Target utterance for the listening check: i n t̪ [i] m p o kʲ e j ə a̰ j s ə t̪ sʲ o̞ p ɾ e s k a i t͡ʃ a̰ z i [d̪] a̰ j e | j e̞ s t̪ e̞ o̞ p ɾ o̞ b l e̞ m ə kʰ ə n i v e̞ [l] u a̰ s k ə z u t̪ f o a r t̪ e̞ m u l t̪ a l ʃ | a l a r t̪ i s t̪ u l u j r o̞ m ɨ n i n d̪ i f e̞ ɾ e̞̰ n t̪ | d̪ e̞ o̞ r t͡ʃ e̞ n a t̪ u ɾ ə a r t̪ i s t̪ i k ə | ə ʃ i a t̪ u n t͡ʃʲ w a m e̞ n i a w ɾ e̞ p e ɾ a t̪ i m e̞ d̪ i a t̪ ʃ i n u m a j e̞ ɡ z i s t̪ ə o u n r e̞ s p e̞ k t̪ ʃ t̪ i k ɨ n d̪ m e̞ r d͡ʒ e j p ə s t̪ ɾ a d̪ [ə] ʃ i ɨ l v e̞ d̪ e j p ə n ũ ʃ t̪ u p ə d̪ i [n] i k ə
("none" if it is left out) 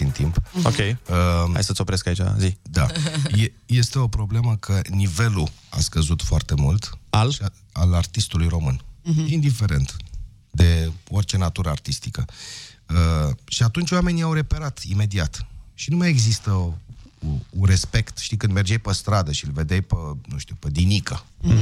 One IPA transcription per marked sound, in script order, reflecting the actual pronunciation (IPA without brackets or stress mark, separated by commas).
i, d̪, l, ə, n